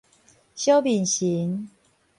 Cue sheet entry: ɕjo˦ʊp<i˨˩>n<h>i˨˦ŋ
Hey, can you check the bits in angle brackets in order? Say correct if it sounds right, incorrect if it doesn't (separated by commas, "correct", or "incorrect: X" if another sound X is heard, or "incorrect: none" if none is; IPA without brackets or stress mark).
correct, incorrect: ɕ